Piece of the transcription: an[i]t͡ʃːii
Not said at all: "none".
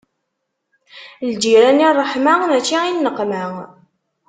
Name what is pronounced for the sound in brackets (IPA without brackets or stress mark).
æ